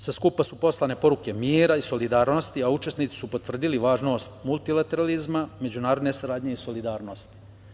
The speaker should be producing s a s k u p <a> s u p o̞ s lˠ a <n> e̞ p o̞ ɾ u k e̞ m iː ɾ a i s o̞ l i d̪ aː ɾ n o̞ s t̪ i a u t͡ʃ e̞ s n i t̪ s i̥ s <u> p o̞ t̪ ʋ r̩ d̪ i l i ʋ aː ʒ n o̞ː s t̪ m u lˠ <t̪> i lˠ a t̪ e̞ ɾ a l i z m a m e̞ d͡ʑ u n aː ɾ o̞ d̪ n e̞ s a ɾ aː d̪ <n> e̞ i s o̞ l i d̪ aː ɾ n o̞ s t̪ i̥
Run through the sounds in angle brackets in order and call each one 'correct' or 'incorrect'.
correct, correct, correct, correct, incorrect

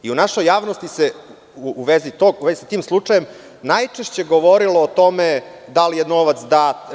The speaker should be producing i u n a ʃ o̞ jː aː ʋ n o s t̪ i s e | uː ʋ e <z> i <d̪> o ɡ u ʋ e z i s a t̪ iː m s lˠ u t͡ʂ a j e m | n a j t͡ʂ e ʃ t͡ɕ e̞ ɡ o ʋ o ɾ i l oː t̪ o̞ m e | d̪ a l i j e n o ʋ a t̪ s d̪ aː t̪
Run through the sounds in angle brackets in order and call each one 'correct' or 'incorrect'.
correct, incorrect

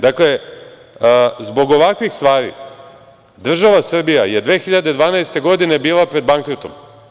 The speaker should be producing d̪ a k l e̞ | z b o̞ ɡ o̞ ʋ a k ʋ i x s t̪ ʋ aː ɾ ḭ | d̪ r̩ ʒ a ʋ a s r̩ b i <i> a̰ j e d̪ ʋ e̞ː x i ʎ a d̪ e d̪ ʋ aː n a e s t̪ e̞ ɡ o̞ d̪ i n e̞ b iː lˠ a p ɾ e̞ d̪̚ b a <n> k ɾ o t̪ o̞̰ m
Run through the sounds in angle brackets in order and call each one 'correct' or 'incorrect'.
incorrect, incorrect

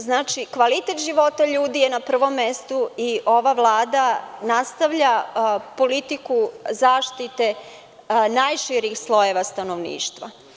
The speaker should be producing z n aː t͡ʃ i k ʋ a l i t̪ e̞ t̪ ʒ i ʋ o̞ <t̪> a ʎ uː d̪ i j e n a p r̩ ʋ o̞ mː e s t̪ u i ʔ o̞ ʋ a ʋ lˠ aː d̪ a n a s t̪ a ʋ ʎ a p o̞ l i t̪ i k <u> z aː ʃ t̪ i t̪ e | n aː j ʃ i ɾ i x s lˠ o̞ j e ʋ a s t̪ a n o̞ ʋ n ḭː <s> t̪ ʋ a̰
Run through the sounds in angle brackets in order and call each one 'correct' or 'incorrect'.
correct, correct, incorrect

